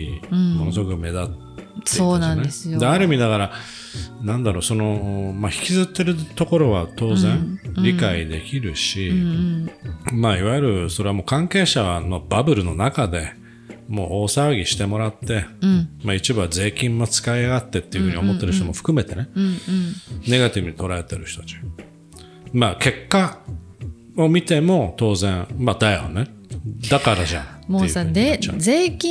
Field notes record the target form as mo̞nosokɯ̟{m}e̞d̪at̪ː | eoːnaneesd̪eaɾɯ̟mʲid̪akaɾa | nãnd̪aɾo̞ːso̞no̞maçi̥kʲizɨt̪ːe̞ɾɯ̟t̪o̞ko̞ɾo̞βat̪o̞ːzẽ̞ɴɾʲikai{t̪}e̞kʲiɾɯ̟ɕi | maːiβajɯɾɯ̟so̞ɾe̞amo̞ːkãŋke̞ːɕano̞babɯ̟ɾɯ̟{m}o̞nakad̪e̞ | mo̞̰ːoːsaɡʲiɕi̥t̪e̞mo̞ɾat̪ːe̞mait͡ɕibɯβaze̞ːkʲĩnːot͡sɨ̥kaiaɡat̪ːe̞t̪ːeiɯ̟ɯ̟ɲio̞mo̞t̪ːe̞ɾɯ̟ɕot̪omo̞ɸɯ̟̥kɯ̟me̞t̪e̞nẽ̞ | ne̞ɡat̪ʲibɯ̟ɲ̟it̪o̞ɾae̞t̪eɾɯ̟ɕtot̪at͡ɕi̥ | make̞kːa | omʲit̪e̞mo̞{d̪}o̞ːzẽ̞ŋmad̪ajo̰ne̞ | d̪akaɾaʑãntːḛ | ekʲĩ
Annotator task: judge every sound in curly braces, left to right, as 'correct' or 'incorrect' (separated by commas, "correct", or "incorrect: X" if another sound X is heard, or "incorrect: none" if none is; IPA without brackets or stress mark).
correct, incorrect: d̪, incorrect: n, incorrect: t̪